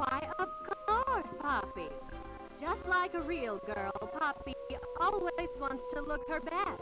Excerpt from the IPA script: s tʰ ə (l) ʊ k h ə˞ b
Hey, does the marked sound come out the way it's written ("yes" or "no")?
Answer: yes